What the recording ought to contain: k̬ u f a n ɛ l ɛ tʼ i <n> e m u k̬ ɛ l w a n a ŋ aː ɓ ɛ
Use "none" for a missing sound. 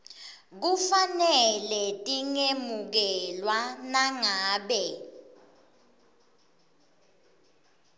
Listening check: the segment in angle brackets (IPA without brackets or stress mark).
ŋ